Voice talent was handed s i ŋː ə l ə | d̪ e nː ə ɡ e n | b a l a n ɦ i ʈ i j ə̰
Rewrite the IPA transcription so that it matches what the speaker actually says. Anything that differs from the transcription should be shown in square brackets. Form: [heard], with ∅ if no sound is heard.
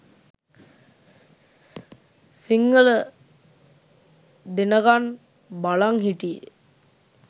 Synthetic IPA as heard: s i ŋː ə l ə | d̪ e [n] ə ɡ [a] n | b a l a [ŋ] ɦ i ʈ i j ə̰